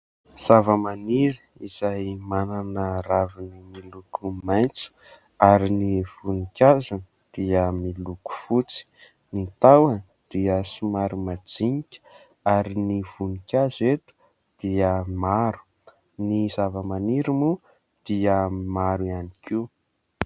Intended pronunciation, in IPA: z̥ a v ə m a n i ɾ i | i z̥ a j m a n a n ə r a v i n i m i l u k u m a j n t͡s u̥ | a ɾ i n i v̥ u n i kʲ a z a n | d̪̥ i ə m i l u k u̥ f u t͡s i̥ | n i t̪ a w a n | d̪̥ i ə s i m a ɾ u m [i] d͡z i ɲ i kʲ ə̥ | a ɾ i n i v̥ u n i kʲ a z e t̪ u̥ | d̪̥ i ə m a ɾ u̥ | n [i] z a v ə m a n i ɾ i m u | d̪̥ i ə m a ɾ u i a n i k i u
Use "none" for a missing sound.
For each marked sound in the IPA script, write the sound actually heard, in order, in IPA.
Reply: a, i

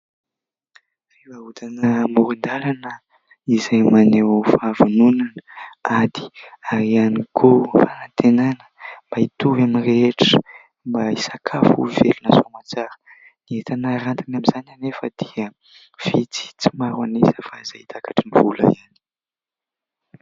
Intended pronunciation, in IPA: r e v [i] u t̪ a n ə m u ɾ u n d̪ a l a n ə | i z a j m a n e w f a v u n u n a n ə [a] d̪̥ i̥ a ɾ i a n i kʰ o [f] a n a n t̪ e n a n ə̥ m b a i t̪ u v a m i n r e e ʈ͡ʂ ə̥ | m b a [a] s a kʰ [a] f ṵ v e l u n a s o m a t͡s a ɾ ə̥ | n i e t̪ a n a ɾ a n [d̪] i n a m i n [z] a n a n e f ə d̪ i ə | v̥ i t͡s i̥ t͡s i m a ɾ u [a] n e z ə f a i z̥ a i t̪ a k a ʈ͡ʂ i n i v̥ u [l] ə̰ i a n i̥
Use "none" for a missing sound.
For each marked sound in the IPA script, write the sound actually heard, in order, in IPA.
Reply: a, a, f, i, a, t̪, z, a, l

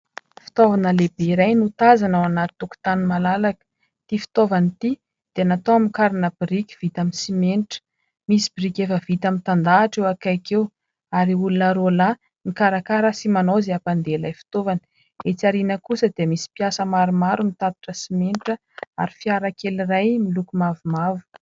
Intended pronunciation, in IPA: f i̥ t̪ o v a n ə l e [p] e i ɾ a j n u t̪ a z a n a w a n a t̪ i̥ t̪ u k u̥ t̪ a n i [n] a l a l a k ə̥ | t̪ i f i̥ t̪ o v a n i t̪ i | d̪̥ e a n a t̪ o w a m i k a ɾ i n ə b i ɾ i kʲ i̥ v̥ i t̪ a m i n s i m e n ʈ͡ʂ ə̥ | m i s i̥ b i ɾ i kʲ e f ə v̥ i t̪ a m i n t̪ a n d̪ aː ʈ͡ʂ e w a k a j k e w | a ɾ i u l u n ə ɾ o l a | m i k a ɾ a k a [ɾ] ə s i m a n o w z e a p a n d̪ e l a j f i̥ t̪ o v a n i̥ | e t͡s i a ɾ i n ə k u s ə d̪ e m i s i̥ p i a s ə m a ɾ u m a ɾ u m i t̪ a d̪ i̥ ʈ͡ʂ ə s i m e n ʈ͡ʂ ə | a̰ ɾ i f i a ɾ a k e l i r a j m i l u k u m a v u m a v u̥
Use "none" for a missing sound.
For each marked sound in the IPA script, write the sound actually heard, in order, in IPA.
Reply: b, m, ɾ

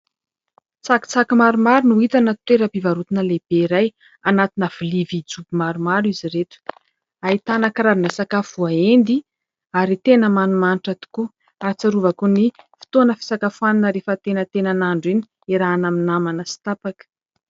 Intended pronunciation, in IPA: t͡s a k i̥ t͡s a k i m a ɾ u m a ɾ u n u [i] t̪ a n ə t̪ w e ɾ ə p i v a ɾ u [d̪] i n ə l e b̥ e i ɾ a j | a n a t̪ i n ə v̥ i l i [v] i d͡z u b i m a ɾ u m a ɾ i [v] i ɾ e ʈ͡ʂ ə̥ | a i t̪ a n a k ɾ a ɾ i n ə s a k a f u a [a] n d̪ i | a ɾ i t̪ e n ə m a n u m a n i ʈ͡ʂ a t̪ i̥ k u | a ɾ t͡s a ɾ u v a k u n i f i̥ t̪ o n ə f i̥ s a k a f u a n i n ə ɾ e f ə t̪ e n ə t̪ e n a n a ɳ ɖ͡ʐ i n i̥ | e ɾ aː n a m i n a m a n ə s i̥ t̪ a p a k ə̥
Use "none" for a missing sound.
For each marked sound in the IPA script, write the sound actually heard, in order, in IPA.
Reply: i, t̪, v, z, e

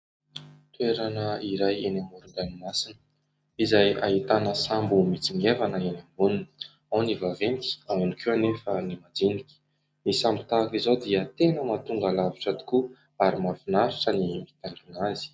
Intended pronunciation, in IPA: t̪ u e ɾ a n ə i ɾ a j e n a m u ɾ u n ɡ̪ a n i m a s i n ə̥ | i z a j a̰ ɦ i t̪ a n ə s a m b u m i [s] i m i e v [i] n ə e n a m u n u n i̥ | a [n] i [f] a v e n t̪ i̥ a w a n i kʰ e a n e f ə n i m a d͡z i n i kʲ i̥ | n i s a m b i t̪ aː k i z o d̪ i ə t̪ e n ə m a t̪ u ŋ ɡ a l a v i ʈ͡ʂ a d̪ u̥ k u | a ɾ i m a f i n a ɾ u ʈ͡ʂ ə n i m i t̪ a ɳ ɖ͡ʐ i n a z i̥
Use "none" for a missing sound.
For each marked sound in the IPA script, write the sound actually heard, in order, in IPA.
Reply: t͡s, a, n, v

